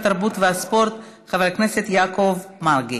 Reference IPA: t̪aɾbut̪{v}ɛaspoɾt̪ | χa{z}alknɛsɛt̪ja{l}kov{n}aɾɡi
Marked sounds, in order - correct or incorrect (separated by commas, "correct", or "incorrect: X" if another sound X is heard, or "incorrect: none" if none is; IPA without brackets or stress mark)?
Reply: correct, incorrect: v, incorrect: none, incorrect: m